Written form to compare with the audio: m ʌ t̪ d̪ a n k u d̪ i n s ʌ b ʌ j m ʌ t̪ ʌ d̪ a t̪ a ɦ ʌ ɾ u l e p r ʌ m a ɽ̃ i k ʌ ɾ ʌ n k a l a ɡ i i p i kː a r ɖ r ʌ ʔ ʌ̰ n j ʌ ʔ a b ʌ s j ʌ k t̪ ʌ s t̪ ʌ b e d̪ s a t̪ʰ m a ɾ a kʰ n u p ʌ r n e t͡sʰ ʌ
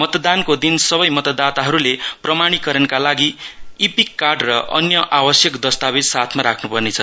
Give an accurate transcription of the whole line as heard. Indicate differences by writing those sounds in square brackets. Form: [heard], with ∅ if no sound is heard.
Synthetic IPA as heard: m ʌ t̪ d̪ a n k [o] d̪ i n s ʌ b ʌ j m ʌ t̪ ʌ d̪ a t̪ a ɦ ʌ ɾ u l e p r ʌ m a ɽ̃ i k ʌ ɾ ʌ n k a l a ɡ i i p i kː a r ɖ r ʌ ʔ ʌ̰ n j ʌ ʔ a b ʌ s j ʌ k [d̪] ʌ s t̪ [a] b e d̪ s a t̪ʰ m a ɾ a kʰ n u p ʌ r n e t͡sʰ ʌ